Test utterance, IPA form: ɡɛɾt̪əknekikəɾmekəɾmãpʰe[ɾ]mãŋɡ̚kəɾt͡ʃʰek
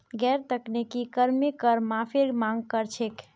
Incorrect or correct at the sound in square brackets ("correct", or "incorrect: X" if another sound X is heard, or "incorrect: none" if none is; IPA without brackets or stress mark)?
correct